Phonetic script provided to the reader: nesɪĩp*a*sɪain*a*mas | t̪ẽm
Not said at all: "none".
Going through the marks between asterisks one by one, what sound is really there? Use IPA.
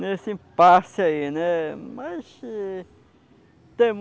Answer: a, ɛ

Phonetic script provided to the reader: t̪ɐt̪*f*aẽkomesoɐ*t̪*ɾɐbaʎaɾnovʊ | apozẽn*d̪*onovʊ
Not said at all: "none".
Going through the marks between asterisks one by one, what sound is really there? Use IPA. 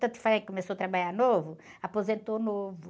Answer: f, t̪, t̪

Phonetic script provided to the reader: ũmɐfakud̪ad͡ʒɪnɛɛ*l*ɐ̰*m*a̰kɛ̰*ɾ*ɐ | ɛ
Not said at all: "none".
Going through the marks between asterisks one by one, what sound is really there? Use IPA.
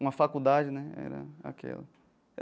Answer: ɾ, none, l

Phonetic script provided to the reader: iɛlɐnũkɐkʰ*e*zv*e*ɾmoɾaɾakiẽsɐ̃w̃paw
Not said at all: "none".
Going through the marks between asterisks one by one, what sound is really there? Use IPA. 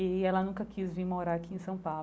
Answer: i, i

